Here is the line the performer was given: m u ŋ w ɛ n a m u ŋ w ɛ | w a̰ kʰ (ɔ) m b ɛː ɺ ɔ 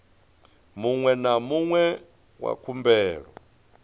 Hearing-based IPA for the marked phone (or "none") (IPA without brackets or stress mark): u